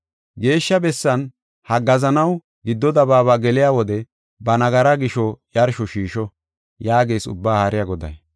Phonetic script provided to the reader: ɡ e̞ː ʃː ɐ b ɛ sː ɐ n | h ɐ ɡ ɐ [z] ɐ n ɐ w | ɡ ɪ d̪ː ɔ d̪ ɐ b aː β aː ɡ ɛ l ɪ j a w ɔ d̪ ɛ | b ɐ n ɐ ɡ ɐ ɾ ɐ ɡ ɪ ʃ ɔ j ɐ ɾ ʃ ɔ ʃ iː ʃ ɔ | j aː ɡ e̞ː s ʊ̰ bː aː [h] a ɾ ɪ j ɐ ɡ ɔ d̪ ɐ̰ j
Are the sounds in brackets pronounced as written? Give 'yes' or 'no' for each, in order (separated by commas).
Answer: yes, yes